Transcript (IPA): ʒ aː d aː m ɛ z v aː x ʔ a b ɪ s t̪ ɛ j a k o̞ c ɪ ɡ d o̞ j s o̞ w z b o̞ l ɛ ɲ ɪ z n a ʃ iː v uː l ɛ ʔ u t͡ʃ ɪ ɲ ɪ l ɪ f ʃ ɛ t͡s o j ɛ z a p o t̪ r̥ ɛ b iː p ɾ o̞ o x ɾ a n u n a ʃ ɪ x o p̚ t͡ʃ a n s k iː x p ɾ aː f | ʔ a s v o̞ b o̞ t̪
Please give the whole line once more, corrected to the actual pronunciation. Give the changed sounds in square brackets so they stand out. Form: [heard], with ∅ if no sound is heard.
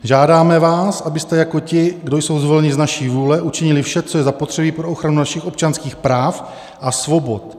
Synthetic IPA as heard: ʒ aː d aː m ɛ [∅] v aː [s] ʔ a b ɪ s t̪ ɛ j a k o̞ c ɪ ɡ d o̞ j s o̞ w z [v] o̞ l ɛ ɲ ɪ z n a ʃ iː v uː l ɛ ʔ u t͡ʃ ɪ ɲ ɪ l ɪ f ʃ ɛ t͡s o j ɛ z a p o t̪ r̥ ɛ b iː p ɾ o̞ o x ɾ a n u n a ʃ ɪ x o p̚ t͡ʃ a n s k iː x p ɾ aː f | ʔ a s v o̞ b o̞ t̪